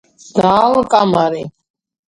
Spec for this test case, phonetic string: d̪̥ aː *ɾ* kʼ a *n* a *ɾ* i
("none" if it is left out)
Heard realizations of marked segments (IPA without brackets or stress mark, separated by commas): l, m, ɾ